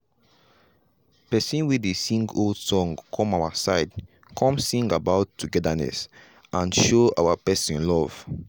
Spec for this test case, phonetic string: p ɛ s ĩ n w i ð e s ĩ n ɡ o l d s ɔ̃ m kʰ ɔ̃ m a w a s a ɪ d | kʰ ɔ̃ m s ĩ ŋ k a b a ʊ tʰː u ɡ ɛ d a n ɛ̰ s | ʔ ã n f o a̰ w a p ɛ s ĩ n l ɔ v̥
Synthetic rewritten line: p ɛ s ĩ n w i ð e s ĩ ŋ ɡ o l d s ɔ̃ ŋ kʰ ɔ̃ m a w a s a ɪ d | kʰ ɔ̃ m s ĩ ŋ ɡ a b a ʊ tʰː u ɡ ɛ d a n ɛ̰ s | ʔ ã n ʃ o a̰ w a p ɛ s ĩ n l ɔ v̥